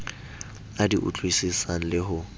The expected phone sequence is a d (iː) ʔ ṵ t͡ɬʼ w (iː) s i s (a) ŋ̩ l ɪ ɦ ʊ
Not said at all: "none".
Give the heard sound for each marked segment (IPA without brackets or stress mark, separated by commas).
i, i, a